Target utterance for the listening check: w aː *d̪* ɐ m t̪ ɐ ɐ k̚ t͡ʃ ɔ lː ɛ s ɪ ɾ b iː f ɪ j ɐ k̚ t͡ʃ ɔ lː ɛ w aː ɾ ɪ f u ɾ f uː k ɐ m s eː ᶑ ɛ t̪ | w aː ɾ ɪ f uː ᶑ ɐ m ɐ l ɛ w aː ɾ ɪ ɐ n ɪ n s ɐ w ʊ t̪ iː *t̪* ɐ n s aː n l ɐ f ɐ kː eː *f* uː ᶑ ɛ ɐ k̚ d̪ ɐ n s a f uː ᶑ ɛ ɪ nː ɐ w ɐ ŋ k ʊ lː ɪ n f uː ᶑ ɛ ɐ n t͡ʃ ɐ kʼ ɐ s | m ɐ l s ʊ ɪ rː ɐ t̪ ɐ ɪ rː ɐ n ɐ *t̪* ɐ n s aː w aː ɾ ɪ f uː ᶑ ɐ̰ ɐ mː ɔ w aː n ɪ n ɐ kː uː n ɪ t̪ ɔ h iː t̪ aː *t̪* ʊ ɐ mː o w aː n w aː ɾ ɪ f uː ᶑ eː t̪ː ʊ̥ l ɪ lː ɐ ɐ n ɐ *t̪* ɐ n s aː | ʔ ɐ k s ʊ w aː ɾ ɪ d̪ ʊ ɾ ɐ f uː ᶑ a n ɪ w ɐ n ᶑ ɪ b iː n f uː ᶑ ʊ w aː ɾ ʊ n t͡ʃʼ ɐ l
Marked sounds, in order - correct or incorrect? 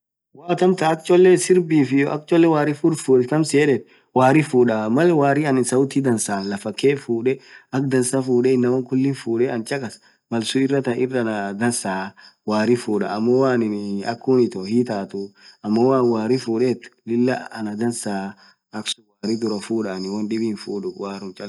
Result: incorrect: t̪, incorrect: d̪, correct, incorrect: d̪, correct, incorrect: d̪

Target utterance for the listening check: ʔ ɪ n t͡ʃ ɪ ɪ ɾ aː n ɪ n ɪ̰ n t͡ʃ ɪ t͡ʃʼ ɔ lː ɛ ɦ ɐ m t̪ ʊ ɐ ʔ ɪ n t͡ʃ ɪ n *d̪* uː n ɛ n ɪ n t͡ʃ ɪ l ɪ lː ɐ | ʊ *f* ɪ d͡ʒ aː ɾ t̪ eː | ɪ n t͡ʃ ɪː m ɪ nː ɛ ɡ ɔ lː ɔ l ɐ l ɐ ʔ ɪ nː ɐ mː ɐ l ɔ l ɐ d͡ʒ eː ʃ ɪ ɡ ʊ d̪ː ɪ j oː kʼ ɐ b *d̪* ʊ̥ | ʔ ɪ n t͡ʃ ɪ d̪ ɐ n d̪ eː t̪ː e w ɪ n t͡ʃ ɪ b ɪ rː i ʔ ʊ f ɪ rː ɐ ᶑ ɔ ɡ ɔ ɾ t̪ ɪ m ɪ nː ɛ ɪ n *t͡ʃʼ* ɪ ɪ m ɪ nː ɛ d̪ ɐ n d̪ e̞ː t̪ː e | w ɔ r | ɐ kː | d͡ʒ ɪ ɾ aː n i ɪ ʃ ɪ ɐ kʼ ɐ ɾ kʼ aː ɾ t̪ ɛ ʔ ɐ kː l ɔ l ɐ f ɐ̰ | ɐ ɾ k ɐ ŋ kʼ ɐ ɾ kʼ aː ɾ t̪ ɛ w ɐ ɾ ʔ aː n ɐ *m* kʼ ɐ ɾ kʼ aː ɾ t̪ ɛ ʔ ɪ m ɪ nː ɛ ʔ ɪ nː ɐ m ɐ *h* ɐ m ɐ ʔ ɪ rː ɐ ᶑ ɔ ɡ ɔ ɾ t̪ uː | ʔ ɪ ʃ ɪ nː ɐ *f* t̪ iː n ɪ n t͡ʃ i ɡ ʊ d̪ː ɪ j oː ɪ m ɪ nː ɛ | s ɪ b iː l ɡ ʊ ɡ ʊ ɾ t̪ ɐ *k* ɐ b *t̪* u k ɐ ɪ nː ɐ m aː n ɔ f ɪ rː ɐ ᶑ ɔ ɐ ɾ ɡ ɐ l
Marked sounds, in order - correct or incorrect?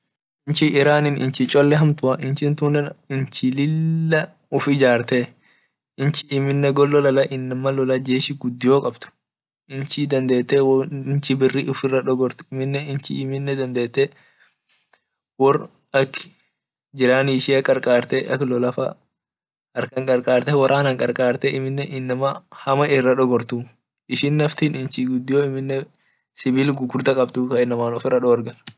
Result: incorrect: t̪, correct, incorrect: t̪, incorrect: t͡ʃ, incorrect: ŋ, correct, correct, incorrect: kʼ, correct

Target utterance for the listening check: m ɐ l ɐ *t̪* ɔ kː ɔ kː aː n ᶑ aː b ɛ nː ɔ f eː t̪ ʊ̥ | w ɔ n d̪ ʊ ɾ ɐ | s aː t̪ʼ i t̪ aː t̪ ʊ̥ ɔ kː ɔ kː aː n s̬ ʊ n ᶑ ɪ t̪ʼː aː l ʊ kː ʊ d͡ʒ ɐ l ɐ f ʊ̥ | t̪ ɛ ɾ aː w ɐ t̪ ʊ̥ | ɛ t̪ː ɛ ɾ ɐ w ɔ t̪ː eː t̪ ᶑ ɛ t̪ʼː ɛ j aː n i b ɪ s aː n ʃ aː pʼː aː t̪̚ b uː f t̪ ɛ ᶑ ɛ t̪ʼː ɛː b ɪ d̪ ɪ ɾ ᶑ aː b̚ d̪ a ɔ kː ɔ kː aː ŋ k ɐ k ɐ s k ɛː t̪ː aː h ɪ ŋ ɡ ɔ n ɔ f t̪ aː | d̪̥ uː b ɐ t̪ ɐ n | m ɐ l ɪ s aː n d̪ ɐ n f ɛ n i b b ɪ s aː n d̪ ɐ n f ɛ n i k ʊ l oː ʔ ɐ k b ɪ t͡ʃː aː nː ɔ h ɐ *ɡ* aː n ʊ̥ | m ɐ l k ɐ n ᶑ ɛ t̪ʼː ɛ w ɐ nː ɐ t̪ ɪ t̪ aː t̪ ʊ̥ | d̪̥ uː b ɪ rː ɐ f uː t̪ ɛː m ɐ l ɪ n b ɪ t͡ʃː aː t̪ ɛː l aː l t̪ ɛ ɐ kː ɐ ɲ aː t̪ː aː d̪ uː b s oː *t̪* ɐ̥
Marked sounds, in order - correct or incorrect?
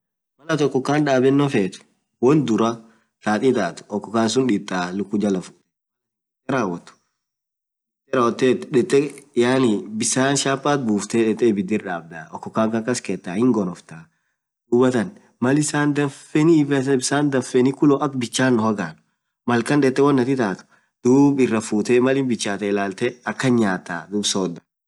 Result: correct, correct, incorrect: d̪

